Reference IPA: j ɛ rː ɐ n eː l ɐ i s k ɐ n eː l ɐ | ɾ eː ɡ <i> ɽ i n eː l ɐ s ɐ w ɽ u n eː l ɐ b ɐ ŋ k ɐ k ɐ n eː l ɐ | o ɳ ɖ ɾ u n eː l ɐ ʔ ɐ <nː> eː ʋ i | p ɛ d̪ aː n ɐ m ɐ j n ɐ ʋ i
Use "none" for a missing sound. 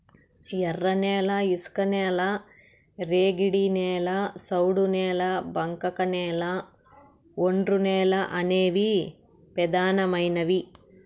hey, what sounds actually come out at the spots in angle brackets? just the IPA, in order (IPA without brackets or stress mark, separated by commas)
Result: i, n